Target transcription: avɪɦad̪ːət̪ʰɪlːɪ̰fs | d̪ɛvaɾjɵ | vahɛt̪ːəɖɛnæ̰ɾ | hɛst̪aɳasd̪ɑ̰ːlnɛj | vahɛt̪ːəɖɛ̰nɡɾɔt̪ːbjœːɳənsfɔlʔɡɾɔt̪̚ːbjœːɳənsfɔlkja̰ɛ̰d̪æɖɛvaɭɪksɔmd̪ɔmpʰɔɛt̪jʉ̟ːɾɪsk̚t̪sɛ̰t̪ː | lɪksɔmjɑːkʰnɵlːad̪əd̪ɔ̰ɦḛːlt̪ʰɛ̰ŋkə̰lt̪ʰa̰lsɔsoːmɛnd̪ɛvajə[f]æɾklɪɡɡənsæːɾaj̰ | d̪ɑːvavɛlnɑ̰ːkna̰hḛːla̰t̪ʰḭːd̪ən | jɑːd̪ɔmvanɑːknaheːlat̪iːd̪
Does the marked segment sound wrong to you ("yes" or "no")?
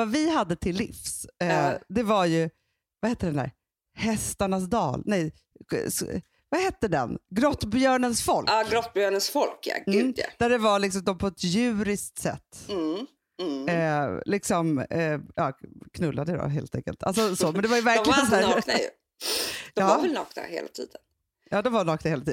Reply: yes